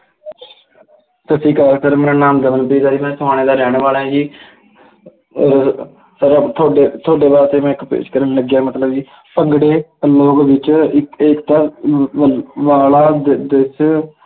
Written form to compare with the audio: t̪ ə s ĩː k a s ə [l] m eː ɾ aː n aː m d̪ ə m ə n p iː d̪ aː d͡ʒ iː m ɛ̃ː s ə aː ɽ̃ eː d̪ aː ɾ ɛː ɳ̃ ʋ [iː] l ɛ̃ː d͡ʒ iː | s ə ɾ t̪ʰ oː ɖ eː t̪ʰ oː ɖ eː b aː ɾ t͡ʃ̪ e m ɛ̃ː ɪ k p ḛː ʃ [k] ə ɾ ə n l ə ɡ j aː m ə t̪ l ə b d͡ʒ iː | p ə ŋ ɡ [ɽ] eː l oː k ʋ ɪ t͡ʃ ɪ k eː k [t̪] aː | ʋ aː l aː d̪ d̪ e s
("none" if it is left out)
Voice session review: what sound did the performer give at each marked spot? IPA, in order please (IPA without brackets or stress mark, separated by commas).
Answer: ɾ, aː, k, ɽ, t̪